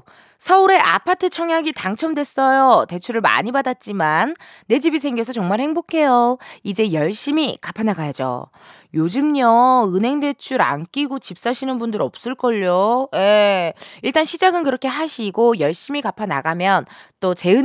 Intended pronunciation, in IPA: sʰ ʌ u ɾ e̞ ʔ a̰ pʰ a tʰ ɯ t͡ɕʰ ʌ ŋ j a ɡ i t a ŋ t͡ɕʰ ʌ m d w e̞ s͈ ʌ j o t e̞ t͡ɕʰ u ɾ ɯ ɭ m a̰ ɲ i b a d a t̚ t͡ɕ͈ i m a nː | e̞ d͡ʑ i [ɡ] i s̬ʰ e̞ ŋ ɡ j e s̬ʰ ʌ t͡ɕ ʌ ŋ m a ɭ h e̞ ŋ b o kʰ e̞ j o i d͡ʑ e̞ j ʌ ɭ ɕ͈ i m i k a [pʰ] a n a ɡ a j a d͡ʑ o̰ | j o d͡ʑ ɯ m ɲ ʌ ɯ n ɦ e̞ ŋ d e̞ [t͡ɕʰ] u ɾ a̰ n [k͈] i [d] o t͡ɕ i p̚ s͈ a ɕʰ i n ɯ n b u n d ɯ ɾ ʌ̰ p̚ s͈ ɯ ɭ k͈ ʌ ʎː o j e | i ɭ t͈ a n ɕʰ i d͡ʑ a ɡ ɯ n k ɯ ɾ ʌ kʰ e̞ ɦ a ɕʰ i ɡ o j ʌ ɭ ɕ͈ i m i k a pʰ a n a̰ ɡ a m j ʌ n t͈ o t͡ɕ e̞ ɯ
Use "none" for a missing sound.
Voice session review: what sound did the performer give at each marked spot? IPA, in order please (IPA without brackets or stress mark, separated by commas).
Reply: b, pʰ, t͡ɕʰ, k͈, ɡ